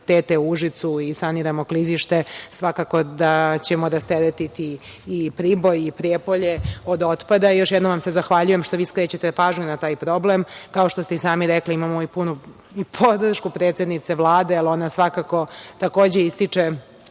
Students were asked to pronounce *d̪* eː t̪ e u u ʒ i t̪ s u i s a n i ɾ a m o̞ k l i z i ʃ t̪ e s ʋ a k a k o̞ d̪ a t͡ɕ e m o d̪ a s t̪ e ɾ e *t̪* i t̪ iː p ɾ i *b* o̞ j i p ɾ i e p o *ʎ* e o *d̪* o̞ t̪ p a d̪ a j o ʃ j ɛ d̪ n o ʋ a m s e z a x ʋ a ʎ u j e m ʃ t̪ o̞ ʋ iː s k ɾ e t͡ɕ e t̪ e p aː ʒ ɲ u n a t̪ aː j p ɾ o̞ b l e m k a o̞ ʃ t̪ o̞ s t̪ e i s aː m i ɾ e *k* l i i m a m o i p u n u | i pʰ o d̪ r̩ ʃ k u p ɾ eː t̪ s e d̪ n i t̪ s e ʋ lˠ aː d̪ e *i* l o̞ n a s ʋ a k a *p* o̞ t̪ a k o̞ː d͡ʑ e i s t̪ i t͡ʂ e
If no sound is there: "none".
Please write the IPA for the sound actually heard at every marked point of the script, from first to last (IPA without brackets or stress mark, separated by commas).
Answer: t̪, t̪, b, ʎ, d̪, k, a, k